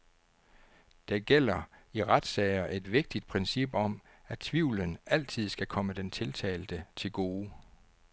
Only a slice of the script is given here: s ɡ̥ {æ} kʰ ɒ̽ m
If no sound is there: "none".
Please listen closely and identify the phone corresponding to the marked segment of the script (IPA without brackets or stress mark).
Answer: æ